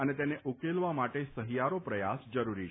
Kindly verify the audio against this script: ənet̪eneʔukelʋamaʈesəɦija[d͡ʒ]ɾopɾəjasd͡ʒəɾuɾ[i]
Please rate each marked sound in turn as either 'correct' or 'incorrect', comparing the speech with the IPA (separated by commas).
incorrect, correct